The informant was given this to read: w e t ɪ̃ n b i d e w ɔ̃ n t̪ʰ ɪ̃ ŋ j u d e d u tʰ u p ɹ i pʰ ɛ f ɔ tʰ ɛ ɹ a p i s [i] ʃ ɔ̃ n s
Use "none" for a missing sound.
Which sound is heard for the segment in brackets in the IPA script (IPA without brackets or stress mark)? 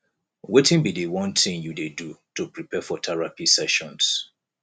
ɛ